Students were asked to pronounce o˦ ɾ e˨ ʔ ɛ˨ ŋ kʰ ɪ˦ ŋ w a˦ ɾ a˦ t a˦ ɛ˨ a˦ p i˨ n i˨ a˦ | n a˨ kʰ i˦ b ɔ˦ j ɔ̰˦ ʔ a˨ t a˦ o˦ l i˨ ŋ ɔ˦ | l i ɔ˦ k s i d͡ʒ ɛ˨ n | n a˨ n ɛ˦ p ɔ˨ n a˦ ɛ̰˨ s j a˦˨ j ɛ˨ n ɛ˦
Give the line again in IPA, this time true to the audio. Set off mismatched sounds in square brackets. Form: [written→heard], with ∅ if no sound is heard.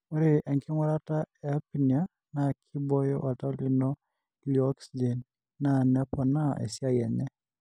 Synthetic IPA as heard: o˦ ɾ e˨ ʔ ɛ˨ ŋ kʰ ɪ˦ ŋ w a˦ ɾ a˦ t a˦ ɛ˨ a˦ p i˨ n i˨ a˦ | n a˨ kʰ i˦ b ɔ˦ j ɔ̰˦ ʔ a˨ t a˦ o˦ l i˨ [ŋ→n] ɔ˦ | l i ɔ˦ k s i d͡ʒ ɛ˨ n | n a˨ n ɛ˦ p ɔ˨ n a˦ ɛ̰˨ s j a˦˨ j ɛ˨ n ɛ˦

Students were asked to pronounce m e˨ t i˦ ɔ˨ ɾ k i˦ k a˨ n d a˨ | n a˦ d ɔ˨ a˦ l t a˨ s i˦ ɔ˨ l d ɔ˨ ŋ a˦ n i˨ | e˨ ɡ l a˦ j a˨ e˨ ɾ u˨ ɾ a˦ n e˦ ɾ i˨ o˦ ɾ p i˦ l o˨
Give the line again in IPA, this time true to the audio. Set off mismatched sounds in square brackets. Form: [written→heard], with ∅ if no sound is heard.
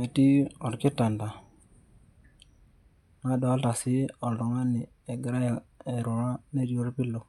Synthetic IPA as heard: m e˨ t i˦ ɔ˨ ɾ k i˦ [k→t] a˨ n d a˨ | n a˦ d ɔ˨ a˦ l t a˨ s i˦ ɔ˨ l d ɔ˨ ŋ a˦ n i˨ | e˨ ɡ [l→ɾ] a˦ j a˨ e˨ ɾ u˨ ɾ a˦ n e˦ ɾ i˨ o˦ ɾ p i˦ l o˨

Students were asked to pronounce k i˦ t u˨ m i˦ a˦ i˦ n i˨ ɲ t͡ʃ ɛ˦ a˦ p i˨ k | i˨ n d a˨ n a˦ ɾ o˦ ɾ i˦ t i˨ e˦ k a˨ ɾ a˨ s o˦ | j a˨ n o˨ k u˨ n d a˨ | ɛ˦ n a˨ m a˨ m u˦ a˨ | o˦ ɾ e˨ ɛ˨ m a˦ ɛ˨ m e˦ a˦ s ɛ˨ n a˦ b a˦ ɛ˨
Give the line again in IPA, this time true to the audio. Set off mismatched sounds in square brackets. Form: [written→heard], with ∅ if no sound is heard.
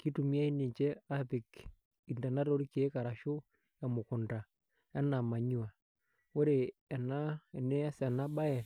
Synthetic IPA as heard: k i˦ t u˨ m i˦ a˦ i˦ n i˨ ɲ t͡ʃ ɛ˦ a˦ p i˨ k | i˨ n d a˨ n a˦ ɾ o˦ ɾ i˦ [t→k] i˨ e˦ k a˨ ɾ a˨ [s→ʃ] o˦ | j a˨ [n→m] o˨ k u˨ n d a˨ | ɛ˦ n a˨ m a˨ [m→ɲ] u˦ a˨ | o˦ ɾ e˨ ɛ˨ [m→n] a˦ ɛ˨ [m→n] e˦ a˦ s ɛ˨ n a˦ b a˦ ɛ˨

